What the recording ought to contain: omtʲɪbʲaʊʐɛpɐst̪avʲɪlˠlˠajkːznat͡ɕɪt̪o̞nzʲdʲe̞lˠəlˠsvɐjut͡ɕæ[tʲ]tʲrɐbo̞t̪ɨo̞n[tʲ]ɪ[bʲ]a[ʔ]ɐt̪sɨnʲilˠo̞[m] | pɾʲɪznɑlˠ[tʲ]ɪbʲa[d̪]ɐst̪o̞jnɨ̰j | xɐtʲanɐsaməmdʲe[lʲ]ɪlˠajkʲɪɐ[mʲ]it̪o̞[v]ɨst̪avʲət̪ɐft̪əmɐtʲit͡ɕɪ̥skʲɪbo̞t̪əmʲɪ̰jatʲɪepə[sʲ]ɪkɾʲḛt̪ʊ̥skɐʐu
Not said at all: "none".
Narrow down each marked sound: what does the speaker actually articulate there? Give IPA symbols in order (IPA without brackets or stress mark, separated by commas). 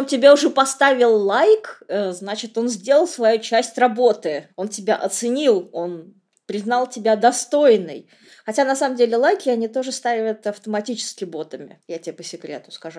sʲ, tʲ, bʲ, ʔ, n, tʲ, d̪, lʲ, nʲ, ʐ, sʲ